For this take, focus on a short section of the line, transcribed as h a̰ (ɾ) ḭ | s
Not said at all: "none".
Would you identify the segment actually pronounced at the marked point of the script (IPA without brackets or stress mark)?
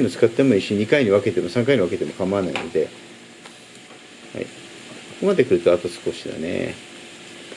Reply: none